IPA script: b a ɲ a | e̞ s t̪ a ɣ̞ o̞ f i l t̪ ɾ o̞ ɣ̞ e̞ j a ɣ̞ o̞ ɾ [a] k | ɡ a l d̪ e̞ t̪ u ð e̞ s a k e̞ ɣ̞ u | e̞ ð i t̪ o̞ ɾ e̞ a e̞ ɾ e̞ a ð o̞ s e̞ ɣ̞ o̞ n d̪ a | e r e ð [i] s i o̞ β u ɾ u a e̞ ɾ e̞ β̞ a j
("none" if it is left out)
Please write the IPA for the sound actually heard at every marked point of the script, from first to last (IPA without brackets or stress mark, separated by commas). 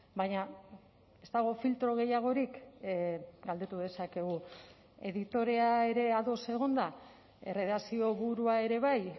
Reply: i, a